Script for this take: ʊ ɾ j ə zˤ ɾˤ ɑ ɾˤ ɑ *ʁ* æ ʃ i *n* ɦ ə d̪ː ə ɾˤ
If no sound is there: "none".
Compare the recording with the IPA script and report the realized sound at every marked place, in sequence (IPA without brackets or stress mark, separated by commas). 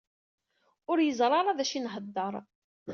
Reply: ð, n